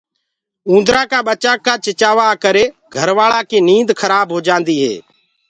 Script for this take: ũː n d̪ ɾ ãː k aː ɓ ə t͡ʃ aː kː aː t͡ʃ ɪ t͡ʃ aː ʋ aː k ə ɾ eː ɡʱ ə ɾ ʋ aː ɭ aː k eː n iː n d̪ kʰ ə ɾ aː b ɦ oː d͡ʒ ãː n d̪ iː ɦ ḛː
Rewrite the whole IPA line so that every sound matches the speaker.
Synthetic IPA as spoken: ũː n d̪ ɾ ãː k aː ɓ ə t͡ʃ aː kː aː t͡ʃ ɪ t͡ʃ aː ʋ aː k ə ɾ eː ɡʱ ə ɾ ʋ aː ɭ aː k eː n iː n d̪ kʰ ə ɾ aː b ɦ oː d͡ʒ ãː n d̪ iː ɦ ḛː